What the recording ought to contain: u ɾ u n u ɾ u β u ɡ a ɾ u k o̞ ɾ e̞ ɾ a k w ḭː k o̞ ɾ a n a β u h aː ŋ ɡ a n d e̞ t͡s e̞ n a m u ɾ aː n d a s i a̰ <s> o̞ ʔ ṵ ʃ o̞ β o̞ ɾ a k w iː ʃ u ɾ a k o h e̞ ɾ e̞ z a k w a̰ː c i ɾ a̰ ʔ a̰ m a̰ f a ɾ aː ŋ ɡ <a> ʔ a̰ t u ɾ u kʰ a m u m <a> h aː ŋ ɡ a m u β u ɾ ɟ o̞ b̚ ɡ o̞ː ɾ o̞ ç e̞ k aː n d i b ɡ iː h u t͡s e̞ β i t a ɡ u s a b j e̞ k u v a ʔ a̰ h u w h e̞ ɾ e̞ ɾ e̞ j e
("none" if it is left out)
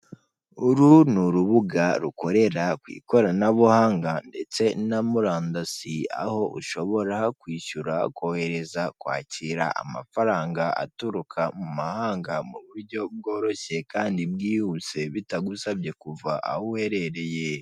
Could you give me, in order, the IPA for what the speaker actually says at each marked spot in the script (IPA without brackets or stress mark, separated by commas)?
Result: h, a, a